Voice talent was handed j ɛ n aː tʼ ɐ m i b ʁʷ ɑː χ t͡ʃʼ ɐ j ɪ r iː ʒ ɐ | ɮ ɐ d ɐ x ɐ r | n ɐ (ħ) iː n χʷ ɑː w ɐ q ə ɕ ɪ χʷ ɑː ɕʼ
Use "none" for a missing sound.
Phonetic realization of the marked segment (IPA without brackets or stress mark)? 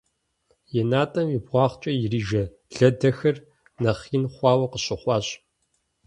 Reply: χ